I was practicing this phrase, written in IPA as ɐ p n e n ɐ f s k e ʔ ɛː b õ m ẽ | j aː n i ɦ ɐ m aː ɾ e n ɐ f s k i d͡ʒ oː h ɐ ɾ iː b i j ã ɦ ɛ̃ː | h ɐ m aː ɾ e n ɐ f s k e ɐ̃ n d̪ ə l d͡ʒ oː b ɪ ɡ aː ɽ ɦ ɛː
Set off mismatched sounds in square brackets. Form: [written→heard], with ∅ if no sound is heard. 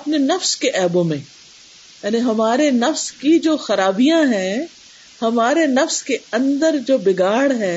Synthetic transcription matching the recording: ɐ p n e n ɐ f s k e ʔ ɛː b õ m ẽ | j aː n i ɦ ɐ m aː ɾ e n ɐ f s k i d͡ʒ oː [h→x] ɐ ɾ [iː→aː] b i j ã ɦ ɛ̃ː | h ɐ m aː ɾ e n ɐ f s k e ɐ̃ n d̪ ə [l→ɾ] d͡ʒ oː b ɪ ɡ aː ɽ ɦ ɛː